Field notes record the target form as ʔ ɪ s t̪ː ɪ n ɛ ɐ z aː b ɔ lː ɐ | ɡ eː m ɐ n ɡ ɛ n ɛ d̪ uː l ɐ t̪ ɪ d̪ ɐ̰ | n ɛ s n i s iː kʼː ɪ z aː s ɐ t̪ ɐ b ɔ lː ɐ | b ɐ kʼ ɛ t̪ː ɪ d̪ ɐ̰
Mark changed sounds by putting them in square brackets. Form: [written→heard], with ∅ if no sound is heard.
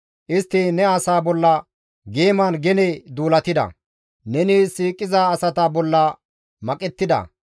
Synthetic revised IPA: ʔ ɪ s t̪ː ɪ n ɛ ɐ [z→s] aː b ɔ lː ɐ | ɡ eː m ɐ n ɡ ɛ n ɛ d̪ uː l ɐ t̪ ɪ d̪ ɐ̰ | n ɛ [s→∅] n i s iː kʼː ɪ z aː s ɐ t̪ ɐ b ɔ lː ɐ | [b→m] ɐ kʼ ɛ t̪ː ɪ d̪ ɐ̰